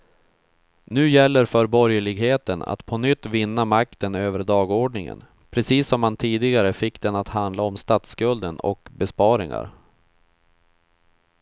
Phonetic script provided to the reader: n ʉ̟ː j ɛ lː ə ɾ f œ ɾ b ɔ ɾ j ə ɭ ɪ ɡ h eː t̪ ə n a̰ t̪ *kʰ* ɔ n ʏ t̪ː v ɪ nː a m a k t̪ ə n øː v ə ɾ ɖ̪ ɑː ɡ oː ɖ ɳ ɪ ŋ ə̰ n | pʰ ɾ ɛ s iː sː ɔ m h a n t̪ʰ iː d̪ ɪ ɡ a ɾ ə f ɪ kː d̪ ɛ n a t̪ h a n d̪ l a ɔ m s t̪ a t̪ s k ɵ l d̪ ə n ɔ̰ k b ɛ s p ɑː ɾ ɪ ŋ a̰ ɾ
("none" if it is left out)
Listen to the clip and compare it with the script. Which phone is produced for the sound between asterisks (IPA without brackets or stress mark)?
pʰ